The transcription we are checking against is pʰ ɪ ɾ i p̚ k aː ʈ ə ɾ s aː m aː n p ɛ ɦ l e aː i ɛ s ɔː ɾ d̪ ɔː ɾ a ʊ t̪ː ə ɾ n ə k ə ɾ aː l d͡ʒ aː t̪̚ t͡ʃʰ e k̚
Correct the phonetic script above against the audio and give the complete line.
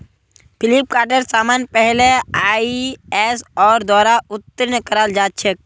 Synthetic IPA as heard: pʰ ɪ l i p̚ k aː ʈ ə ɾ s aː m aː n p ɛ ɦ l e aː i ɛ s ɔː ɾ d̪ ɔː ɾ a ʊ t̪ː ə ɾ n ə k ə ɾ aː l d͡ʒ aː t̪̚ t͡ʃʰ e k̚